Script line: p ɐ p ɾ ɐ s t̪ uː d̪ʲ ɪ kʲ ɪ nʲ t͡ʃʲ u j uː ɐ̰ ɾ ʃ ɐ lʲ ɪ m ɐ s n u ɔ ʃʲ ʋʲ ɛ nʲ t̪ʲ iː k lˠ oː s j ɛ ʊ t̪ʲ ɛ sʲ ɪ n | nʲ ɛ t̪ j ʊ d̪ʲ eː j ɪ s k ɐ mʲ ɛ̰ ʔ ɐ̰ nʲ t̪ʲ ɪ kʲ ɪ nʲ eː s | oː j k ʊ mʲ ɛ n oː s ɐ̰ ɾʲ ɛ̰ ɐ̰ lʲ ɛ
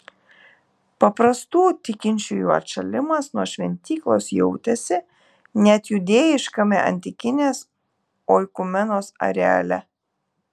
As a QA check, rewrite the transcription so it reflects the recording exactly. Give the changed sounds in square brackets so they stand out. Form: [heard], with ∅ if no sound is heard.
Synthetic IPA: p ɐ p ɾ ɐ s t̪ uː [t̪ʲ] ɪ kʲ ɪ nʲ t͡ʃʲ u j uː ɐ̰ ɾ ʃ ɐ lʲ ɪ m ɐ s n u ɔ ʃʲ ʋʲ ɛ nʲ t̪ʲ iː k lˠ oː s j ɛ ʊ t̪ʲ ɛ sʲ ɪ [∅] | nʲ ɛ t̪ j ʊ d̪ʲ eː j ɪ [ʃ] k ɐ mʲ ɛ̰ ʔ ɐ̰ nʲ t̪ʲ ɪ kʲ ɪ nʲ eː s | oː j k ʊ mʲ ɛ n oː s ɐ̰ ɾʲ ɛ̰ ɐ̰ lʲ ɛ

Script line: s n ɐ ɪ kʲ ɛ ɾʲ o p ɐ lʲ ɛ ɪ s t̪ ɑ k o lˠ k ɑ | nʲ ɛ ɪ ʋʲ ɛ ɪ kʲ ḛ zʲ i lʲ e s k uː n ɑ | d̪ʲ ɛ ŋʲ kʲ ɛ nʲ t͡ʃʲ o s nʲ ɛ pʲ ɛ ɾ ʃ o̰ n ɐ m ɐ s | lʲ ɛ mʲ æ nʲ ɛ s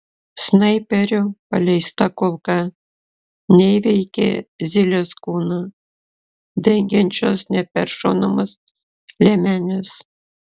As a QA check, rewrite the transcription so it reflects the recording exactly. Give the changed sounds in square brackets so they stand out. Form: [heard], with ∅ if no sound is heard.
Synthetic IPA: s n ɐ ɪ [pʲ] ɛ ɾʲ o p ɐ lʲ ɛ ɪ s t̪ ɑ k o lˠ k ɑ | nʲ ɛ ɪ ʋʲ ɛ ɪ kʲ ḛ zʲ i lʲ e s k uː n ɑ | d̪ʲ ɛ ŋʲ [ɡʲ] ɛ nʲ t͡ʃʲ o s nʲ ɛ pʲ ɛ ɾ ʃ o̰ n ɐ m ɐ s | lʲ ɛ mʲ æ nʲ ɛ s

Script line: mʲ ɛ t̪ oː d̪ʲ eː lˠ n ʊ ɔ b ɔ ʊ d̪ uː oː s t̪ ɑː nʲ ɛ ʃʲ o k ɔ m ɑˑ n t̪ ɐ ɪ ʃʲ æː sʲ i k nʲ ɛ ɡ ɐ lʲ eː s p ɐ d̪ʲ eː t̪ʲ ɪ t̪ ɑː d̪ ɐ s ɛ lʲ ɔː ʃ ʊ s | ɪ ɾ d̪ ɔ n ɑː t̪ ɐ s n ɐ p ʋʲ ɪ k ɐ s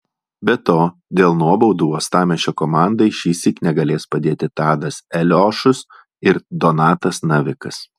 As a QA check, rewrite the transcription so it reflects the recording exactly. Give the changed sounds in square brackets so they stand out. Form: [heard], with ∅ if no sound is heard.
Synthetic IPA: [bʲ] ɛ t̪ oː d̪ʲ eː lˠ n [u] ɔ b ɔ ʊ d̪ uː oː s t̪ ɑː [mʲ] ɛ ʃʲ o k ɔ m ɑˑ n [d̪] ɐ ɪ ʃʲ [iː] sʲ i k nʲ ɛ ɡ ɐ lʲ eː s p ɐ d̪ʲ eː t̪ʲ ɪ t̪ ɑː d̪ ɐ s ɛ lʲ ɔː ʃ ʊ s | ɪ ɾ d̪ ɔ n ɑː t̪ ɐ s n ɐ [∅] ʋʲ ɪ k ɐ s

